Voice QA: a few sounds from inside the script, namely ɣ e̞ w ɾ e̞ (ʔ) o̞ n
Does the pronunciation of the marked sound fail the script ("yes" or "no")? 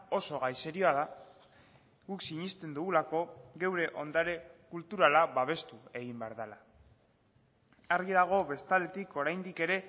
no